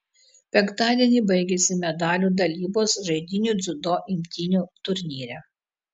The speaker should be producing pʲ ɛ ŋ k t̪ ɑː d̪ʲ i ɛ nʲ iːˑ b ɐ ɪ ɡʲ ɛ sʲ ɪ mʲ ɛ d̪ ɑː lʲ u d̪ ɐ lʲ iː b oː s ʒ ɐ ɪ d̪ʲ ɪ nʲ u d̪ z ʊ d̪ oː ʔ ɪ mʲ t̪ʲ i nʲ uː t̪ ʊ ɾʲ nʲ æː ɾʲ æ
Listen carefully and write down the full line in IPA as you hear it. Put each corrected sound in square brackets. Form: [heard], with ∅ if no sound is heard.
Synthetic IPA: pʲ ɛ ŋ k t̪ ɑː d̪ʲ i ɛ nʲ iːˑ b ɐ ɪ ɡʲ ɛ sʲ ɪ mʲ ɛ d̪ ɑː lʲ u d̪ ɐ lʲ iː b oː s ʒ ɐ ɪ d̪ʲ ɪ nʲ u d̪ z ʊ d̪ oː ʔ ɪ mʲ t̪ʲ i nʲ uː t̪ ʊ ɾʲ nʲ [iː] ɾʲ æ

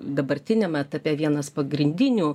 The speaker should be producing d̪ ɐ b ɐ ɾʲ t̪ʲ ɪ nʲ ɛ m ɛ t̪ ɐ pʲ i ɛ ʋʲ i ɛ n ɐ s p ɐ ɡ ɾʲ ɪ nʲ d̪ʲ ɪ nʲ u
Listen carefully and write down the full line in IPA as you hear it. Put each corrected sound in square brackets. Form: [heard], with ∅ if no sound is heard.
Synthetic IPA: d̪ ɐ b ɐ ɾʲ t̪ʲ ɪ nʲ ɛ m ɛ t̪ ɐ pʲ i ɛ ʋʲ i ɛ n ɐ s p ɐ ɡ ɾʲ ɪ nʲ d̪ʲ ɪ nʲ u

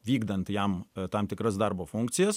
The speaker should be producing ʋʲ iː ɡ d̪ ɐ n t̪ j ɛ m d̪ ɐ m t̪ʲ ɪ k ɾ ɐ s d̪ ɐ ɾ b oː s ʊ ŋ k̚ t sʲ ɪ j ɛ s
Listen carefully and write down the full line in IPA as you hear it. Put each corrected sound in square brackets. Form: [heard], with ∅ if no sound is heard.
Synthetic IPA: ʋʲ iː ɡ d̪ ɐ n t̪ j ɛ m [t̪] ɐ m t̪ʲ ɪ k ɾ ɐ s d̪ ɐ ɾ b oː [f] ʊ ŋ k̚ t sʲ ɪ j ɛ s

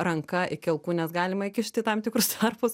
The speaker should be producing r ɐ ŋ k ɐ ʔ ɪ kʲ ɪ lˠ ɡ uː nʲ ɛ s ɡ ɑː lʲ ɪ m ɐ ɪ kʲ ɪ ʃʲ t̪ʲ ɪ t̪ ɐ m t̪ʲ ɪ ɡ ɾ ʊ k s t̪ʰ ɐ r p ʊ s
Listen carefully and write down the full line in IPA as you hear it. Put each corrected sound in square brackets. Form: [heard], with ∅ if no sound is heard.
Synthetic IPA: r ɐ ŋ k ɐ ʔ ɪ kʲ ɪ lˠ [k] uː nʲ ɛ s ɡ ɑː lʲ ɪ m ɐ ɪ kʲ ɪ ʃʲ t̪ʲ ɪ t̪ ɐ m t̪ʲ ɪ [k] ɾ ʊ [∅] s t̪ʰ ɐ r p ʊ s

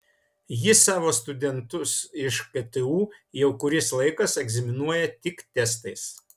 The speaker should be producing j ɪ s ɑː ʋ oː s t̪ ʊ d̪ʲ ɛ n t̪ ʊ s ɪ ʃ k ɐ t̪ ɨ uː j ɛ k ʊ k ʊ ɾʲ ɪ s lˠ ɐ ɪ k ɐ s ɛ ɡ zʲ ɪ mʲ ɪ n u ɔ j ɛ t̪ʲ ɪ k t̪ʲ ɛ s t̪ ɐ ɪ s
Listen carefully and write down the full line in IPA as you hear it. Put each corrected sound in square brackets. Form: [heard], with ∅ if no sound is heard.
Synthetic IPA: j ɪ s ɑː ʋ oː s t̪ ʊ d̪ʲ ɛ n t̪ ʊ s ɪ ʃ k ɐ t̪ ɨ uː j ɛ [∅] ʊ k ʊ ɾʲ ɪ s lˠ ɐ ɪ k ɐ s ɛ ɡ zʲ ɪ mʲ ɪ n u ɔ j ɛ t̪ʲ ɪ k t̪ʲ ɛ s t̪ ɐ ɪ s

